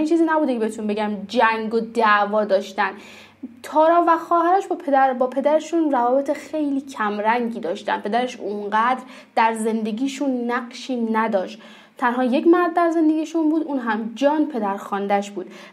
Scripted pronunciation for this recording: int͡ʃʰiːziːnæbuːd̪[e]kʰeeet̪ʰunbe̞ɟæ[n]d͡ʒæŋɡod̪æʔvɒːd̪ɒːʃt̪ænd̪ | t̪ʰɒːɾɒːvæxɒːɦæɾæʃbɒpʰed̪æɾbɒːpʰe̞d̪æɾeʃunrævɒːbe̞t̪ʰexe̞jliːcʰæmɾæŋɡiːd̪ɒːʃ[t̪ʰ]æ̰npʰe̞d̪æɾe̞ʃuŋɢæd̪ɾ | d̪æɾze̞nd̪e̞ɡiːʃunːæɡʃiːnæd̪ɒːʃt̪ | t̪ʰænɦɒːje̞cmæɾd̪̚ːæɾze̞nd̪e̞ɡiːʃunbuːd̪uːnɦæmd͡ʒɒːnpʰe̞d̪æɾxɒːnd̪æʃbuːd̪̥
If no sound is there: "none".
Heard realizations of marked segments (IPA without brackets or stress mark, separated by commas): e, m, t̪